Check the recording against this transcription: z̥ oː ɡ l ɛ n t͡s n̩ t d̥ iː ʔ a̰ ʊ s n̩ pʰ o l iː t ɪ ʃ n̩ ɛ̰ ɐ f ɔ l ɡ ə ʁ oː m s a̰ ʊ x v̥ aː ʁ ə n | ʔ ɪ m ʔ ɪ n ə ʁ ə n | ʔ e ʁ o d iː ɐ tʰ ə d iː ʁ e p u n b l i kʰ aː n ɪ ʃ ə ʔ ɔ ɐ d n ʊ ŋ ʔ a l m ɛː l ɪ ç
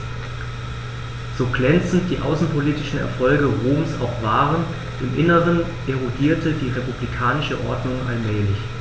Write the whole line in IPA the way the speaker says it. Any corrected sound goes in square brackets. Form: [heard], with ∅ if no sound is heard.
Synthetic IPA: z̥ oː ɡ l ɛ n t͡s n̩ t d̥ iː ʔ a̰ ʊ s n̩ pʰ o l iː t ɪ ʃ n̩ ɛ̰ ɐ f ɔ l ɡ ə ʁ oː m s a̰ ʊ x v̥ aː ʁ ə n | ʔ ɪ m ʔ ɪ n ə ʁ ə n | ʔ e ʁ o d iː ɐ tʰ ə d iː ʁ e p u [∅] b l i kʰ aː n ɪ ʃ ə ʔ ɔ ɐ d n ʊ ŋ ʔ a l m ɛː l ɪ ç